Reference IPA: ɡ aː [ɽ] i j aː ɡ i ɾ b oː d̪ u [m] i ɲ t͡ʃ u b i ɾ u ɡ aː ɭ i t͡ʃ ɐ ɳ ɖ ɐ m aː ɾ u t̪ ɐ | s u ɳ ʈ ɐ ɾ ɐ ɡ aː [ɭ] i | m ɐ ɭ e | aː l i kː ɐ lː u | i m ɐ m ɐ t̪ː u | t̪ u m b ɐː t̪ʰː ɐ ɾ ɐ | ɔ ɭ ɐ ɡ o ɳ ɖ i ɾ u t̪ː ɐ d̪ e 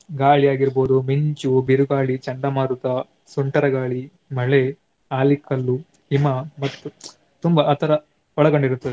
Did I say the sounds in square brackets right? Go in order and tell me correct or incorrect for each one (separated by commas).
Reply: incorrect, correct, correct